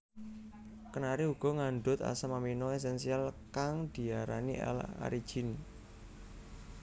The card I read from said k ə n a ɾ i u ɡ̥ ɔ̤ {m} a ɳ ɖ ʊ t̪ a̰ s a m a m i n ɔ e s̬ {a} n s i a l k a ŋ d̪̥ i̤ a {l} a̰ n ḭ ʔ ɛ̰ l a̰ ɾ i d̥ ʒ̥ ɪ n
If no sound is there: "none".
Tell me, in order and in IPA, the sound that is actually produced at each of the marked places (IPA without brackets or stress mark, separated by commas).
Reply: ŋ, ɛ, ɾ